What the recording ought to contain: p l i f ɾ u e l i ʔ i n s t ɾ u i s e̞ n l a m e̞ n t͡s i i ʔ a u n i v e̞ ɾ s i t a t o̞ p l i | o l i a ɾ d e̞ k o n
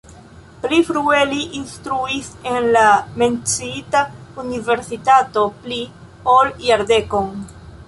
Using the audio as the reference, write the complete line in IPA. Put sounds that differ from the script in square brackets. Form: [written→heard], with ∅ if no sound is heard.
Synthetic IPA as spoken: p l i f ɾ u e l i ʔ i n s t ɾ u i s e̞ n l a m e̞ n t͡s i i [ʔ→t] a u n i v e̞ ɾ s i t a t o̞ p l i | o l [i→j] a ɾ d e̞ k o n